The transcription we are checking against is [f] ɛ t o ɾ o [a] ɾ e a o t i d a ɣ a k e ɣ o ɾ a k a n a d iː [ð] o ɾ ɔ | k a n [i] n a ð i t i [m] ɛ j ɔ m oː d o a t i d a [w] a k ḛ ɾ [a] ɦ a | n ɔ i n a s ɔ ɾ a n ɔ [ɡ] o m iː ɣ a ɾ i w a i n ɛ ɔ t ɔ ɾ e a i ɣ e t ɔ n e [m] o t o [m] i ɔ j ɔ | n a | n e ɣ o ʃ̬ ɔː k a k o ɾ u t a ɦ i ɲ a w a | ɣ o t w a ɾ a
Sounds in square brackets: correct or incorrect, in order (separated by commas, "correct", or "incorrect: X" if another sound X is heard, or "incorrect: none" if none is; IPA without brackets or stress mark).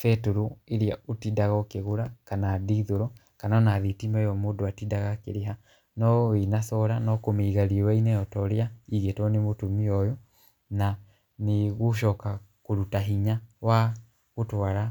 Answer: correct, incorrect: e, correct, incorrect: a, correct, incorrect: ɣ, incorrect: e, incorrect: k, correct, correct